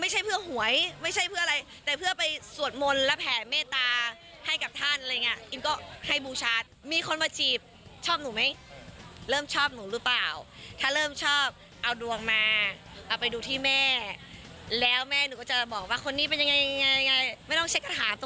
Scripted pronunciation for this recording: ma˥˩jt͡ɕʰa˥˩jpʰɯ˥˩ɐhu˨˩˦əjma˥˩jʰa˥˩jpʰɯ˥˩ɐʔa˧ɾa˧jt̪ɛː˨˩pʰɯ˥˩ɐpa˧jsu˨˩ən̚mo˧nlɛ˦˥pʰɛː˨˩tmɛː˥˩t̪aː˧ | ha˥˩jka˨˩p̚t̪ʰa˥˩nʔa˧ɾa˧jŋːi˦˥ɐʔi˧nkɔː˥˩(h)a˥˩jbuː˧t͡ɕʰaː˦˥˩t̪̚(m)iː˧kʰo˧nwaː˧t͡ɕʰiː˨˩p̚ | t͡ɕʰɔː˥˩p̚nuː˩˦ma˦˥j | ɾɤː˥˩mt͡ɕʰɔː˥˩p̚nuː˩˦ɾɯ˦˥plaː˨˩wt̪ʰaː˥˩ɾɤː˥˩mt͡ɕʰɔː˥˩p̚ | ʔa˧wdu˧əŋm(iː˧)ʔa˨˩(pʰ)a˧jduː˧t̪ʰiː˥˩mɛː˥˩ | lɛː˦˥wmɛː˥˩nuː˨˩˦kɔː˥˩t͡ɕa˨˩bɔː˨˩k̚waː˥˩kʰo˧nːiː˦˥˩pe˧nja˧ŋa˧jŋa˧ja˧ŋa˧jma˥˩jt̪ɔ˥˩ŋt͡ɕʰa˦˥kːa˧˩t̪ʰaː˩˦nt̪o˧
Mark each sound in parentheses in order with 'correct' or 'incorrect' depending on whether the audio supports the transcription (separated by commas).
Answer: correct, correct, incorrect, incorrect